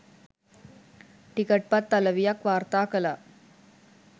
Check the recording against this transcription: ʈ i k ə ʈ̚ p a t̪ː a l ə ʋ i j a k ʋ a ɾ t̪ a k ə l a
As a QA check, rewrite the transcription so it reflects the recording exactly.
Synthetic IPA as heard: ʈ i k ə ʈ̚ p a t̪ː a l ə ʋ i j a k ʋ a ɾ t̪ a k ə l a